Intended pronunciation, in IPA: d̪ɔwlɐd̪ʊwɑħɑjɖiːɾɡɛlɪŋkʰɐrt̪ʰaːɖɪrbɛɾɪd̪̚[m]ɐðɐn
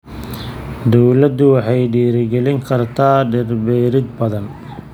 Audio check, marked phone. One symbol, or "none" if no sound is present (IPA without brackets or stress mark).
b